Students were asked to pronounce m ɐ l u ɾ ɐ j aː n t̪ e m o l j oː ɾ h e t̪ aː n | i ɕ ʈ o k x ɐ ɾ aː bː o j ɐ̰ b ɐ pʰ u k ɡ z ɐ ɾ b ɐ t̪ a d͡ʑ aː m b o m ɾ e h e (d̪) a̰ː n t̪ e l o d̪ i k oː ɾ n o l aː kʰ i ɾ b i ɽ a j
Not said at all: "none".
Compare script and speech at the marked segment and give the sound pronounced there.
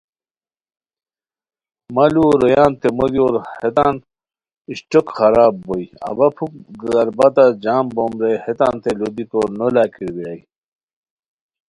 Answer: t̪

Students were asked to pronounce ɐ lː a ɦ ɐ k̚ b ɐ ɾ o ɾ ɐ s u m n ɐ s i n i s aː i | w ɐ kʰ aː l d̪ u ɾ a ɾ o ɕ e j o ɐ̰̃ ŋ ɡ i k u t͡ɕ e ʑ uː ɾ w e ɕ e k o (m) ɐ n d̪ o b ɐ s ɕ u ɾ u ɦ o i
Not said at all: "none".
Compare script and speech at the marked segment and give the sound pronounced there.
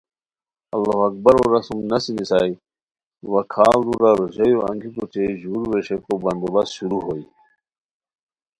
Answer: b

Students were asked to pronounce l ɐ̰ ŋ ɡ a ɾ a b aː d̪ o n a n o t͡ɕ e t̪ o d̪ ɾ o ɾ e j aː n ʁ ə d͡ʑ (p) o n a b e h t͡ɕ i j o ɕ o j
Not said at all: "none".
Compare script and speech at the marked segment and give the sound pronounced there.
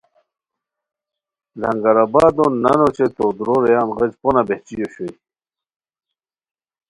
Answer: p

